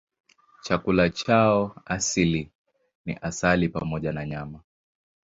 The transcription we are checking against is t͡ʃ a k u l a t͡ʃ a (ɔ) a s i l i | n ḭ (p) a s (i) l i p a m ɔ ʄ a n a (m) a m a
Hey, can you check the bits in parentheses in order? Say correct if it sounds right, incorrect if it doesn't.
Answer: correct, incorrect: ʔ, incorrect: a, incorrect: ɲ

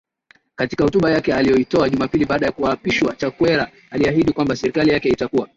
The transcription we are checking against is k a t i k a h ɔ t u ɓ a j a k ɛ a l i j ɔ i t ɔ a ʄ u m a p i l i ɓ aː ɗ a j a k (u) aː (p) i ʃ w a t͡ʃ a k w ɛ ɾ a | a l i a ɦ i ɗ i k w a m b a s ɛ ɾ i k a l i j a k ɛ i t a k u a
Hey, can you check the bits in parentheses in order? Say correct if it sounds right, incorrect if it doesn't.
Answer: correct, correct

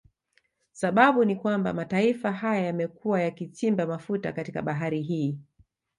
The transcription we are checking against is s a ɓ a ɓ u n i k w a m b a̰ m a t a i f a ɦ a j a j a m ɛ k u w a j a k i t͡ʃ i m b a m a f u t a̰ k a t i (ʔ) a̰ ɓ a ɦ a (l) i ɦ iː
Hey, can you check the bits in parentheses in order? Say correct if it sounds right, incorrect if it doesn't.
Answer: incorrect: k, incorrect: ɾ

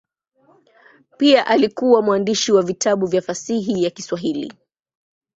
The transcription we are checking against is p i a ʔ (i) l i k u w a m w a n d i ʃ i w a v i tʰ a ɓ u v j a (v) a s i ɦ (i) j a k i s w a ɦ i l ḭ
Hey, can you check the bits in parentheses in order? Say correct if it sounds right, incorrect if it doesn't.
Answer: incorrect: a, incorrect: f, correct

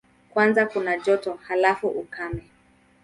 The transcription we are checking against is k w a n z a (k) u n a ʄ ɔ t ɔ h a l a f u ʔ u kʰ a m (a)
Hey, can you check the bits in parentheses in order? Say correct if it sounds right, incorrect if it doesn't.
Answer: correct, incorrect: ɛ

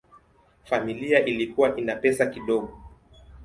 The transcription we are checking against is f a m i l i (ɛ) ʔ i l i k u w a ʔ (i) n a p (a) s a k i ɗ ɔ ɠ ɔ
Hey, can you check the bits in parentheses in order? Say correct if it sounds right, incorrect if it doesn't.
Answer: incorrect: a, correct, incorrect: ɛ

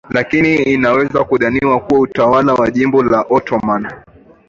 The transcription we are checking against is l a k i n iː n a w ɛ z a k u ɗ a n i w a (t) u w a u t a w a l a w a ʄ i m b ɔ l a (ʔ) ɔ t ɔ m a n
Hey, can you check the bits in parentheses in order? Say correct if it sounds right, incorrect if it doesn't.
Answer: incorrect: k, correct

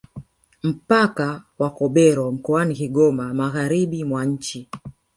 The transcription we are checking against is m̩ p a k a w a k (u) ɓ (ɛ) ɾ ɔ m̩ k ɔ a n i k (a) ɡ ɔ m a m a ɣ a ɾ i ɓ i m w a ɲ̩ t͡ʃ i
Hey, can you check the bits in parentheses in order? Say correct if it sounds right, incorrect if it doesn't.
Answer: incorrect: ɔ, correct, incorrect: i

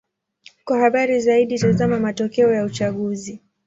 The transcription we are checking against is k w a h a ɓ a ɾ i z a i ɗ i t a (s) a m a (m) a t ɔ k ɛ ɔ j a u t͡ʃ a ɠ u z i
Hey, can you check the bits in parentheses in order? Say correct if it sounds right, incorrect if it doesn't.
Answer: incorrect: z, correct

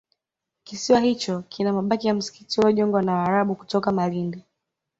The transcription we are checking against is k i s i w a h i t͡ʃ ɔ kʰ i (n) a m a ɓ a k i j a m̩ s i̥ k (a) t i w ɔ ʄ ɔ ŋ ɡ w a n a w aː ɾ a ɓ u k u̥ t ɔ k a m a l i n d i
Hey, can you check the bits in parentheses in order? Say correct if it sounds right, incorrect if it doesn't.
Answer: correct, incorrect: i

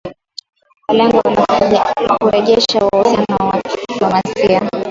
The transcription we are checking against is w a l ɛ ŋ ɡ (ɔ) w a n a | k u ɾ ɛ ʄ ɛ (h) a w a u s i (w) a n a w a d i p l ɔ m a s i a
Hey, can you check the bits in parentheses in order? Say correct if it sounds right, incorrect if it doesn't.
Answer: correct, incorrect: ʃ, incorrect: none

